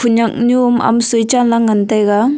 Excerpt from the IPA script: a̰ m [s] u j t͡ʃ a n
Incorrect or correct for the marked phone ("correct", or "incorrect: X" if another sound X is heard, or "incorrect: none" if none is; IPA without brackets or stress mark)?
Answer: correct